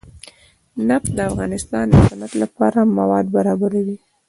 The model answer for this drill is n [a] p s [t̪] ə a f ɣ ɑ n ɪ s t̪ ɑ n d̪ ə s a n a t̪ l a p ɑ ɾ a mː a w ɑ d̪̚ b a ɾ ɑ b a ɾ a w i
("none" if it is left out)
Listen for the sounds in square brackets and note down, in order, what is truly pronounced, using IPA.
a, d̪

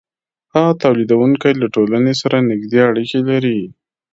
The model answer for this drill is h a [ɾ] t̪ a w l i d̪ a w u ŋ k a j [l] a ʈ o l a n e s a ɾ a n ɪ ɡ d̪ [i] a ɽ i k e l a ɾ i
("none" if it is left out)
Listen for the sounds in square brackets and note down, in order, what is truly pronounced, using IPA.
none, l, e

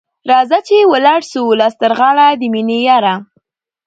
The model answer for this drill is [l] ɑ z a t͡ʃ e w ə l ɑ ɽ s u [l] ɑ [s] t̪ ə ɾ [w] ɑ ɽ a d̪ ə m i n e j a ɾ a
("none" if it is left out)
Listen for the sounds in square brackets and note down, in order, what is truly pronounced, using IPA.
ɾ, l, s, ɣ

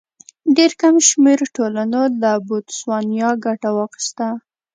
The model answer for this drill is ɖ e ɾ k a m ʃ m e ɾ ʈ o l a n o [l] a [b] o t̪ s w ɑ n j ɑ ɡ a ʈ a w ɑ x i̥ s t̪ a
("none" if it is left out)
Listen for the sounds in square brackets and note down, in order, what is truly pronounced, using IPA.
l, b

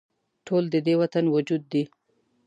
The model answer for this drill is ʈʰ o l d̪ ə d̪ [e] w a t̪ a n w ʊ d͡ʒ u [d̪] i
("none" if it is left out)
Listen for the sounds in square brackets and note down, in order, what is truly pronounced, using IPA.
e, d̪ː

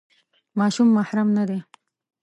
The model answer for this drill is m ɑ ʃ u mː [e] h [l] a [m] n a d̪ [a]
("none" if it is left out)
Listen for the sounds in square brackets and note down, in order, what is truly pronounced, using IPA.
a, ɾ, m, e

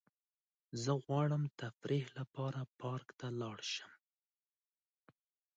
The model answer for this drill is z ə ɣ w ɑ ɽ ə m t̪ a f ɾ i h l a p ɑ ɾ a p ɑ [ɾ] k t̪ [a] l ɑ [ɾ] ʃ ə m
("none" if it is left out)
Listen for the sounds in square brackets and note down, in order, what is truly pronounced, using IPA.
ɾ, a, ɽ

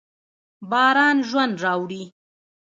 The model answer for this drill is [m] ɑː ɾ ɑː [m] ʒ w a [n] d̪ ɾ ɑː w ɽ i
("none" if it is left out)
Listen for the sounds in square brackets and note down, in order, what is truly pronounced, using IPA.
b, n, n

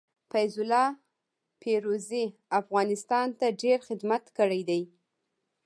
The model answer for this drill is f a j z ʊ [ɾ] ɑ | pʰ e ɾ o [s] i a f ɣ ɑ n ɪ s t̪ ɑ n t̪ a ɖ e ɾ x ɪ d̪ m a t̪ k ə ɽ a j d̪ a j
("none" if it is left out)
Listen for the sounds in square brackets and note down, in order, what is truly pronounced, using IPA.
l, z

